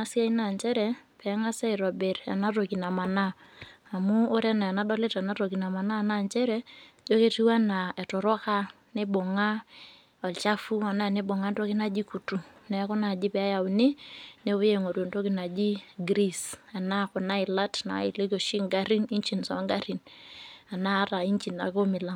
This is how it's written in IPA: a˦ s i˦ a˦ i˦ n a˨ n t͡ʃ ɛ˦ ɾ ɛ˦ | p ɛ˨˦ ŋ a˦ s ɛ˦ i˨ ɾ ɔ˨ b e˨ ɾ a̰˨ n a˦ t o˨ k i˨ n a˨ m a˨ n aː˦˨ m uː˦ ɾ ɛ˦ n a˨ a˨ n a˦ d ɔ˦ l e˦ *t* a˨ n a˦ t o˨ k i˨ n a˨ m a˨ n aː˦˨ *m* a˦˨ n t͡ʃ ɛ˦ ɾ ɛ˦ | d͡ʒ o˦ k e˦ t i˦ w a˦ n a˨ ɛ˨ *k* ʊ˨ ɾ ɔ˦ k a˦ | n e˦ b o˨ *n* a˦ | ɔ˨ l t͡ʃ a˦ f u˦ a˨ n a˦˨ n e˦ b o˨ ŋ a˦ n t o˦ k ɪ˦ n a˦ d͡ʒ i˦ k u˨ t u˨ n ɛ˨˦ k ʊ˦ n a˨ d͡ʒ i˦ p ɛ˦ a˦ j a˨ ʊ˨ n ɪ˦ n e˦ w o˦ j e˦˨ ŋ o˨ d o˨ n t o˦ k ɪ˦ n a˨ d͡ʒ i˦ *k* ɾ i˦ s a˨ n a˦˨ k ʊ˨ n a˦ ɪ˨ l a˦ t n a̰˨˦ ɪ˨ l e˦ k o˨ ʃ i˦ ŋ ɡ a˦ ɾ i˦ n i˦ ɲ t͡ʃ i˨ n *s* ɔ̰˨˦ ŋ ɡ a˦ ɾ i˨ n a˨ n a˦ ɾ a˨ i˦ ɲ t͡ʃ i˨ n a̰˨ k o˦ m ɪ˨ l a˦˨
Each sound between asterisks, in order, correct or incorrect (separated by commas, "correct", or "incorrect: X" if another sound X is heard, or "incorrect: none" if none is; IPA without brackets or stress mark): correct, incorrect: n, incorrect: t, incorrect: ŋ, incorrect: ɡ, correct